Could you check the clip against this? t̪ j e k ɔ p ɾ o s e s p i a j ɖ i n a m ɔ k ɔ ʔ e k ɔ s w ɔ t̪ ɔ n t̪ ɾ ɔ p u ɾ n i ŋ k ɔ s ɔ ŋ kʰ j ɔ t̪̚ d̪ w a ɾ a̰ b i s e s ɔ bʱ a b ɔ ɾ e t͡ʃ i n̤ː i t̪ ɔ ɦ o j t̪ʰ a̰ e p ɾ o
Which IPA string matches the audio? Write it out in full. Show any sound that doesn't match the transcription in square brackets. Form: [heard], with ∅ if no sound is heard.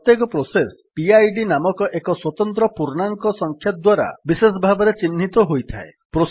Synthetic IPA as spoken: t̪ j e k ɔ p ɾ o s e s p i a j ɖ i n a m ɔ k ɔ ʔ e k ɔ s w ɔ t̪ ɔ n t̪ ɾ ɔ p u ɾ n [a] ŋ k ɔ s ɔ ŋ kʰ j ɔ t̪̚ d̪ w a ɾ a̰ b i s e s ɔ bʱ a b ɔ ɾ e t͡ʃ i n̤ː i t̪ ɔ ɦ o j t̪ʰ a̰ e p ɾ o

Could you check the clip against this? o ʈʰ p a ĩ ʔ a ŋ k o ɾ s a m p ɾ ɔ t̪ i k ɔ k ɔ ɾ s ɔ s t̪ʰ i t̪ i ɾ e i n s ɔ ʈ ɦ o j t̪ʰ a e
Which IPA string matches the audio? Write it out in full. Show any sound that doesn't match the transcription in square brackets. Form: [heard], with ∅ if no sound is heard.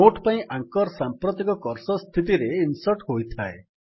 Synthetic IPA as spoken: o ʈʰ p a ĩ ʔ a ŋ k [ɔ] ɾ s a m p ɾ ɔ t̪ i k ɔ k ɔ ɾ s ɔ s t̪ʰ i t̪ i ɾ e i n s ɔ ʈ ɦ o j t̪ʰ a e

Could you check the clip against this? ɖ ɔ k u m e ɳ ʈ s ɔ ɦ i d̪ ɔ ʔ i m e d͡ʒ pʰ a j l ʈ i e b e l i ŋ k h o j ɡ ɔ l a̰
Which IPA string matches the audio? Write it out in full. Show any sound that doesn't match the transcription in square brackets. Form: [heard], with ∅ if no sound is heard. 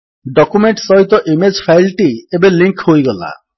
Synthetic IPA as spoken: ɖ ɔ k u m e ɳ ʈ s ɔ ɦ i [t̪] ɔ ʔ i m e d͡ʒ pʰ a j l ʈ i e b e l i ŋ k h o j ɡ ɔ l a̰

